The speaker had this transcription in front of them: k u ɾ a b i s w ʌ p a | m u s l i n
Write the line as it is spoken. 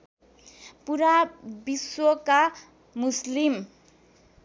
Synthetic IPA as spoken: p u ɾ a b i s w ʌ k a | m u s l i m